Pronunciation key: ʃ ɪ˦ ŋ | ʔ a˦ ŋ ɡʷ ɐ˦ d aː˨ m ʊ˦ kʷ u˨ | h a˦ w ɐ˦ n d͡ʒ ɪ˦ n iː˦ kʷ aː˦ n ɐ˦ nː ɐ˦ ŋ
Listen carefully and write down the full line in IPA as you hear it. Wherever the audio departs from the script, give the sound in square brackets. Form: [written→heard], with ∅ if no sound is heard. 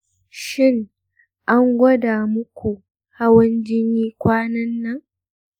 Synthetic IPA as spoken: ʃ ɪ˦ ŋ | ʔ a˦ ŋ ɡʷ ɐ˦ d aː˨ m ʊ˦ kʷ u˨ | h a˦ w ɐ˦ n d͡ʒ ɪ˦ n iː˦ kʷ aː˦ n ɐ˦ nː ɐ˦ ŋ